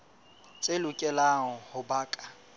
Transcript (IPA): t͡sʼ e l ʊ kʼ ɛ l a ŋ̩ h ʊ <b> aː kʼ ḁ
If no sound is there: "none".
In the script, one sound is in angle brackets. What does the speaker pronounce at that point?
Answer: b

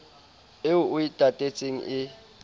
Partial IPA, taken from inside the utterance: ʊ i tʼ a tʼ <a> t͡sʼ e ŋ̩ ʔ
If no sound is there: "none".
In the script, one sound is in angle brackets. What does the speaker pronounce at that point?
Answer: e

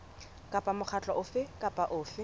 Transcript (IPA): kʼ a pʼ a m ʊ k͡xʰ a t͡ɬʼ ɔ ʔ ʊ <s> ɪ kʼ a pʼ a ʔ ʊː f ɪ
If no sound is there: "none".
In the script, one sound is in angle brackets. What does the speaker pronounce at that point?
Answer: f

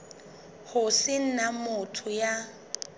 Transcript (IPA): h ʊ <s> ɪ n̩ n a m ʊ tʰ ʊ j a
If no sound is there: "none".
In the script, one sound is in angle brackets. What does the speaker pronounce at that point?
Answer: s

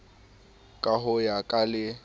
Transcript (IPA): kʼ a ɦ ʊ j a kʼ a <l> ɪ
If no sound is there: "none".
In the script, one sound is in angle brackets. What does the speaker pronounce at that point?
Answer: l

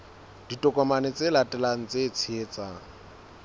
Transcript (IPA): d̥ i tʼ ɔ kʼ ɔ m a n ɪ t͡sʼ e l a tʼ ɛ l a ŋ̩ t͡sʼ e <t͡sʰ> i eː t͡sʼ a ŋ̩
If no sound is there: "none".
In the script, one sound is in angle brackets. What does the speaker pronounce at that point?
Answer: t͡sʰ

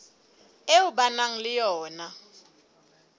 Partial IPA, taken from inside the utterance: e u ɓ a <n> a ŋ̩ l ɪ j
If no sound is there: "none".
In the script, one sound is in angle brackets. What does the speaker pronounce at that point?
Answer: n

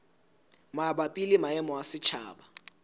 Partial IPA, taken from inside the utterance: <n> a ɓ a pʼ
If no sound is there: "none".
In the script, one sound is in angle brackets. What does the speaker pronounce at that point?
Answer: m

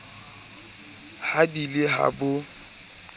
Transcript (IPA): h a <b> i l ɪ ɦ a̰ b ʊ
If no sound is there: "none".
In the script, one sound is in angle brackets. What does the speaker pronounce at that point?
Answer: d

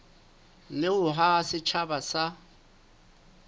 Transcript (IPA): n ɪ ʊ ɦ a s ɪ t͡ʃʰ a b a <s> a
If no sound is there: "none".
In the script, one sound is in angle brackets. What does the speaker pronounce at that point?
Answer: s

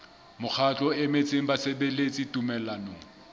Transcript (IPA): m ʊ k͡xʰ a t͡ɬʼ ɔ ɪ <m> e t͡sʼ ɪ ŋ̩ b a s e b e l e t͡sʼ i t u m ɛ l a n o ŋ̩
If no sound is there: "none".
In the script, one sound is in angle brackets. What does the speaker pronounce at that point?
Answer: m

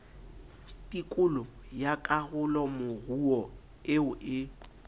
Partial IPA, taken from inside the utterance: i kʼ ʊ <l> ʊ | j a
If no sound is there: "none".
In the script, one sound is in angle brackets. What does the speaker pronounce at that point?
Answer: l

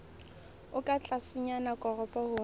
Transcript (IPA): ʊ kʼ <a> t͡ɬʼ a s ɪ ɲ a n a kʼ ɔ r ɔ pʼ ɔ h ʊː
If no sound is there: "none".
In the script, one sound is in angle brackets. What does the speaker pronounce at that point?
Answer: a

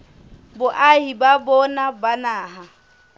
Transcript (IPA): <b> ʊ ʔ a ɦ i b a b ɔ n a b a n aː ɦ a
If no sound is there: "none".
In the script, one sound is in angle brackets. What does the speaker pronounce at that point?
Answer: b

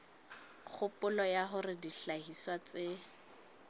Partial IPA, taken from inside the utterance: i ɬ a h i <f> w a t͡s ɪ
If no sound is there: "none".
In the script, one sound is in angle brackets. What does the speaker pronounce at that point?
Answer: s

